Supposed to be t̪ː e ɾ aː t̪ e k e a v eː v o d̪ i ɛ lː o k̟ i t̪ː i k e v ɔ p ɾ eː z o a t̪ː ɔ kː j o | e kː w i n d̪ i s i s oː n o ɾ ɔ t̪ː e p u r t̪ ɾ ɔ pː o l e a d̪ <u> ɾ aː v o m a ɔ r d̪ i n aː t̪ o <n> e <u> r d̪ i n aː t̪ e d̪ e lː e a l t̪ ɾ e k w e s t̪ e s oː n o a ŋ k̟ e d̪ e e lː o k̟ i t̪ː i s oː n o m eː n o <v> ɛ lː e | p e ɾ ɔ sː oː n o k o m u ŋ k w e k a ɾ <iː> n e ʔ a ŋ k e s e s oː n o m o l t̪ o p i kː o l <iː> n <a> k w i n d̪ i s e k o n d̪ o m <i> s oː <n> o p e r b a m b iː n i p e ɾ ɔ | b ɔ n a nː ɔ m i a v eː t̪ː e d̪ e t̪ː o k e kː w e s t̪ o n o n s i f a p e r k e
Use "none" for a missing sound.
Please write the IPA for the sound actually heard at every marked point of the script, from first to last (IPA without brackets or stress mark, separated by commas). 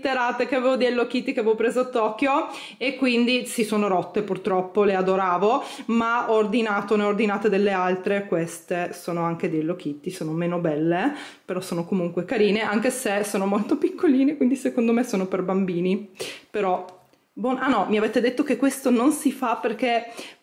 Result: o, n, o, b, iː, iː, e, e, n